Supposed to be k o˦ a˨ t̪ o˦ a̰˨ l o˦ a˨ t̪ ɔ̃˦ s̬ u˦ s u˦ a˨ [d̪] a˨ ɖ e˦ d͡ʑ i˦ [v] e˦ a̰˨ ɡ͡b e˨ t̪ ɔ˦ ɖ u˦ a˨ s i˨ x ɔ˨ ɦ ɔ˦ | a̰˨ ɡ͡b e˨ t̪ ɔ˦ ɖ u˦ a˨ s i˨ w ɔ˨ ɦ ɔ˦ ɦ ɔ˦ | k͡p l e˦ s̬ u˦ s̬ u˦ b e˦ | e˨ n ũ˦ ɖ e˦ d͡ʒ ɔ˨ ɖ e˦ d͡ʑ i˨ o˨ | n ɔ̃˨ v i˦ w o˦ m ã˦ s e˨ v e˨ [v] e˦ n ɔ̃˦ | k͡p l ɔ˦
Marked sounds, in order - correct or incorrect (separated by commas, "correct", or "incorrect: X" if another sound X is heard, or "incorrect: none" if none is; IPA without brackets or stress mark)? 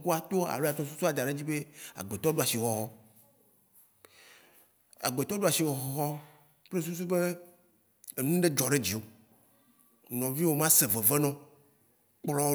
correct, incorrect: b, correct